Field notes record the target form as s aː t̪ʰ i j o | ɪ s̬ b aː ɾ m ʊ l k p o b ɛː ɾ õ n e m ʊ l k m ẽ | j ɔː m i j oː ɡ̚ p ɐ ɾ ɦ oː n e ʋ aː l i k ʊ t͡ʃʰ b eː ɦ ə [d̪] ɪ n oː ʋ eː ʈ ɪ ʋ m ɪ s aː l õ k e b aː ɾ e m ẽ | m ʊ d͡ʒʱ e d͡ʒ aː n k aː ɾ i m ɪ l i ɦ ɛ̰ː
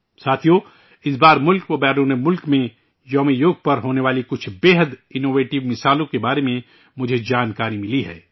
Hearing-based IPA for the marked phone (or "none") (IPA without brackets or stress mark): d̪